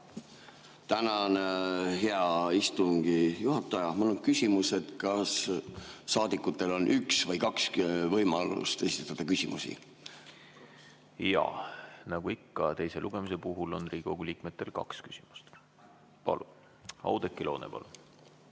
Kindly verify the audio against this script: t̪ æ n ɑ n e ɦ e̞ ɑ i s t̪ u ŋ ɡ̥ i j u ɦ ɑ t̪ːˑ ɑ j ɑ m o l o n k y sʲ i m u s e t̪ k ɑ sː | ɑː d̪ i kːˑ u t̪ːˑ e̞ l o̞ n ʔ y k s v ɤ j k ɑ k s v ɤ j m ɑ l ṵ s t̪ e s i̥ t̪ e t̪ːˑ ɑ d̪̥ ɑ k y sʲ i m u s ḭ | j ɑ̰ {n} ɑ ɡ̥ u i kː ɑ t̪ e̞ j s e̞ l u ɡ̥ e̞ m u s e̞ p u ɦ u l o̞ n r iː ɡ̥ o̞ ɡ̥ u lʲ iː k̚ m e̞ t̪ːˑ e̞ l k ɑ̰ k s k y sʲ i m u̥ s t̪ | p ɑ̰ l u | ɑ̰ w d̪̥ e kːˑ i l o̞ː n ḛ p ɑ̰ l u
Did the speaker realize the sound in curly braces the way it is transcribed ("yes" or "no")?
yes